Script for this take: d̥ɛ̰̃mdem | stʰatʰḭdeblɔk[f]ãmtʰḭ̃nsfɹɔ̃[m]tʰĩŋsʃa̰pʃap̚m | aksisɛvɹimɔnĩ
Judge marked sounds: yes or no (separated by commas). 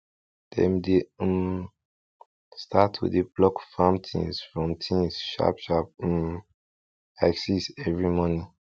yes, yes